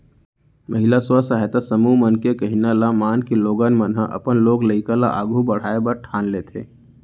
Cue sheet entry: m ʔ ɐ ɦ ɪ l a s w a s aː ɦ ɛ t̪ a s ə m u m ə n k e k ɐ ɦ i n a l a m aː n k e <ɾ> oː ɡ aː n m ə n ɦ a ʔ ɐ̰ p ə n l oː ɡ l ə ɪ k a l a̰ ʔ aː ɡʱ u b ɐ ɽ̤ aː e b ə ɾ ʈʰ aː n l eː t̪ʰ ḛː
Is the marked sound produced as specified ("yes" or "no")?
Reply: no